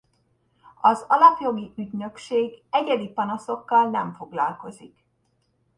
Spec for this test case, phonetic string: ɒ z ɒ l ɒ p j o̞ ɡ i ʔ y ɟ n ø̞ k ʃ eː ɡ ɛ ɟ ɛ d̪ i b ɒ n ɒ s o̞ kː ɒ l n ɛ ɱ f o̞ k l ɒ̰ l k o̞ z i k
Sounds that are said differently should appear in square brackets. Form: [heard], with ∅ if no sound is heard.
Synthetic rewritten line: ɒ z ɒ l ɒ p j o̞ ɡ i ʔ y ɟ n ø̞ k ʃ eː ɡ ɛ ɟ ɛ d̪ i [p] ɒ n ɒ s o̞ kː ɒ l n ɛ ɱ f o̞ [ɡ] l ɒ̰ l k o̞ z i k